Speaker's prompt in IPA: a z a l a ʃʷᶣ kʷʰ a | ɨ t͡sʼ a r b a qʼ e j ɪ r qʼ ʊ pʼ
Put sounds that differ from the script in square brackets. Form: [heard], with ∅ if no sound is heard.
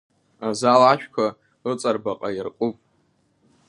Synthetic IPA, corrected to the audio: a z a l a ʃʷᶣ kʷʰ a | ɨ t͡sʼ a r b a qʼ [a] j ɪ r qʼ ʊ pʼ